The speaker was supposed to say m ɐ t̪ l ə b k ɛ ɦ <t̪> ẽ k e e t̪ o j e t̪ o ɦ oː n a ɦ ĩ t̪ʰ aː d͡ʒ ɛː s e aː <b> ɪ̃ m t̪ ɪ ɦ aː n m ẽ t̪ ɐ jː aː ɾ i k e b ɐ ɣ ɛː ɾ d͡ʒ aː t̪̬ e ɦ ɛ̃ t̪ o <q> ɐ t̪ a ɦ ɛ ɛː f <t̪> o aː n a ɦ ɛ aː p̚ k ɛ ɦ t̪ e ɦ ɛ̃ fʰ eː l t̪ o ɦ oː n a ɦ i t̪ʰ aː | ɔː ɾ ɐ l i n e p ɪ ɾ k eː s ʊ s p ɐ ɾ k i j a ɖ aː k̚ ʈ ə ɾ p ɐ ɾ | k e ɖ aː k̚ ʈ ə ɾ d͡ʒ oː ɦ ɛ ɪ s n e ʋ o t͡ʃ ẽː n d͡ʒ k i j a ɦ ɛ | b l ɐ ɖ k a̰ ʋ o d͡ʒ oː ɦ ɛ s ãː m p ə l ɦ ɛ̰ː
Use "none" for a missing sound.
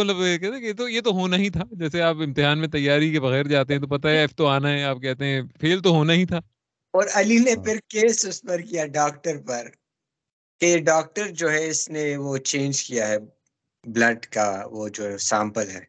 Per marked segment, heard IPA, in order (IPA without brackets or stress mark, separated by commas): t̪, p, p, t̪